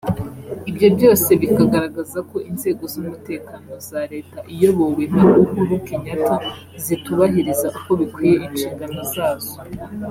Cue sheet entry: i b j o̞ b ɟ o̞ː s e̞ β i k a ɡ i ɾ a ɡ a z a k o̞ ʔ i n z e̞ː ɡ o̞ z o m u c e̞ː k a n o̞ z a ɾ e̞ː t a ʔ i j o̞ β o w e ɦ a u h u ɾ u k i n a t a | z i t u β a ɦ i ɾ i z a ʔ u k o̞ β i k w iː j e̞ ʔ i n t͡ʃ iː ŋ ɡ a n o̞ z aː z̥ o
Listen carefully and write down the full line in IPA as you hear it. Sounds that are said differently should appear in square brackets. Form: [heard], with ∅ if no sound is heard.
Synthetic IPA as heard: i b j o̞ b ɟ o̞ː s e̞ β i k a ɡ [a] ɾ a ɡ a z a k o̞ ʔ i n z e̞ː ɡ o̞ z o m u [t] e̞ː k a n o̞ z a ɾ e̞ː t a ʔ i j o̞ β o w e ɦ a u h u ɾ u k i [ɲ] a t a | z i t u β a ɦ i ɾ i z a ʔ u k o̞ β i k w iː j e̞ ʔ i n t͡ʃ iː ŋ ɡ a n o̞ z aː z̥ o